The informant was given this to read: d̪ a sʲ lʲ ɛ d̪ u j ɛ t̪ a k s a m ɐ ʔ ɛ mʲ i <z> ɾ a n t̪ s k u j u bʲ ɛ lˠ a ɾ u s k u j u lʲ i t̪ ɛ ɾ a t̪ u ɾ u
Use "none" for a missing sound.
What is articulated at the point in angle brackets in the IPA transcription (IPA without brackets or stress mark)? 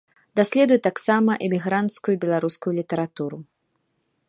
ɣ